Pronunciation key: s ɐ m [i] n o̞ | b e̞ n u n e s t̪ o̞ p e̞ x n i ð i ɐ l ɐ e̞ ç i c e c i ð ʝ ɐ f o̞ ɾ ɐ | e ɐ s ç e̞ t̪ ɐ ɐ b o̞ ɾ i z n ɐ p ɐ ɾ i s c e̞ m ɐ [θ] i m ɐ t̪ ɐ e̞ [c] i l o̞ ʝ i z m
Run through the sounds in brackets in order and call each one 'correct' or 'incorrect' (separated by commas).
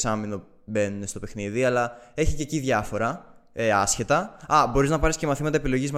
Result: correct, correct, incorrect